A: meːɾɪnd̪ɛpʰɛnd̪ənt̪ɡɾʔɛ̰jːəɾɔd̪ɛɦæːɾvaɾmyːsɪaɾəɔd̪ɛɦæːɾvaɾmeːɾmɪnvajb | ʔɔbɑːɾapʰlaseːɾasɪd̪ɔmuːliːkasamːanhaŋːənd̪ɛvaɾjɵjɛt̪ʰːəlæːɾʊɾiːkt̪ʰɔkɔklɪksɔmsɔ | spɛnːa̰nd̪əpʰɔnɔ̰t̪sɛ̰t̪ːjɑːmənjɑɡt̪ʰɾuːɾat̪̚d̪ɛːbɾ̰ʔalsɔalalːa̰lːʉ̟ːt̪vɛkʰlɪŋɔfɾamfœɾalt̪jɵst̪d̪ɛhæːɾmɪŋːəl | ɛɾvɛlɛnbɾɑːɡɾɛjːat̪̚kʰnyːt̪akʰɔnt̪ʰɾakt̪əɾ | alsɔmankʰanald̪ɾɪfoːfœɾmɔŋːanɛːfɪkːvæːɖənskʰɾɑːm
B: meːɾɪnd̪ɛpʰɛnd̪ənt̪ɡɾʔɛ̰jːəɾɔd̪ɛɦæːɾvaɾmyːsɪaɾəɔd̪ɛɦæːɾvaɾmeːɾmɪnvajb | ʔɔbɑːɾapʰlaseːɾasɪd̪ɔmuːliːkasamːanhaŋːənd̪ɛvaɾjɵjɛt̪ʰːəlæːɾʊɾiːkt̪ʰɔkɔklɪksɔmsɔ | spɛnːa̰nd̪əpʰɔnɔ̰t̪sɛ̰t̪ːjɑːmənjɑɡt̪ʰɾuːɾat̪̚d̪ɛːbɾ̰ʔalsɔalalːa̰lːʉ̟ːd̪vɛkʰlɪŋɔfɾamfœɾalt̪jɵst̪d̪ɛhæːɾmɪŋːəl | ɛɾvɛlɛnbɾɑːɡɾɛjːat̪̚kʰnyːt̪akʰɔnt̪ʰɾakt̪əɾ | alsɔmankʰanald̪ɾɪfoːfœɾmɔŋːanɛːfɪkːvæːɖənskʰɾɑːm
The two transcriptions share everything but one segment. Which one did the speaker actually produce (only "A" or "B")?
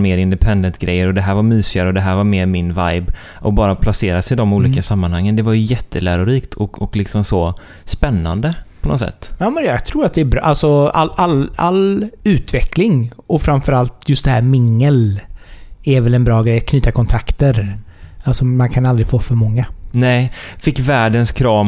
A